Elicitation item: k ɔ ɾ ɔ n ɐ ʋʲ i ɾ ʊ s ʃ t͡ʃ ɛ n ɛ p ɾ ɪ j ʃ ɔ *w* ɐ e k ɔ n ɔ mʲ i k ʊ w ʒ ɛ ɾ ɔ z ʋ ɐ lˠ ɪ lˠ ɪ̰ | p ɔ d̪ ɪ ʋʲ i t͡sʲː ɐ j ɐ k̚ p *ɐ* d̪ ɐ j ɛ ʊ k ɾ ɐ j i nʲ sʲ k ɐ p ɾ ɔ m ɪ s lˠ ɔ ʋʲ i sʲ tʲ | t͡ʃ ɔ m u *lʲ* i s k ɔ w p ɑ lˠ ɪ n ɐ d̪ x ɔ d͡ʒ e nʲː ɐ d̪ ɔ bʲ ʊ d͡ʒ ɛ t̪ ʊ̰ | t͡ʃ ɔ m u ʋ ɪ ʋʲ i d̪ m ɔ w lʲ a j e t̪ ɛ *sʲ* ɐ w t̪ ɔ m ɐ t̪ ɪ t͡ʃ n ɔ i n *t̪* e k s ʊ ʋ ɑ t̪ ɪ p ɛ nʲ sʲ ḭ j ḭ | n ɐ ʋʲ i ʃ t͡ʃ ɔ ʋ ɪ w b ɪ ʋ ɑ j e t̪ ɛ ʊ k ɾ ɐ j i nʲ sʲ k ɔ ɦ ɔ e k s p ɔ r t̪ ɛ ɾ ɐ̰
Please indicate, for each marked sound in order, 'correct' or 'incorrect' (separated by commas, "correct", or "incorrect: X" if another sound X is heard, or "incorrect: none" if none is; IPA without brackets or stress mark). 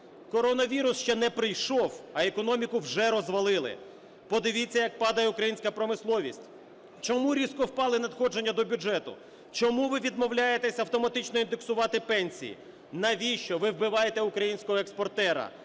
correct, incorrect: ɑ, incorrect: ɾʲ, correct, incorrect: d̪